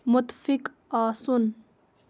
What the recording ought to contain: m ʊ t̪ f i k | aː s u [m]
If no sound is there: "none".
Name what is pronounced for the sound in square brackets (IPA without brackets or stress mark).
n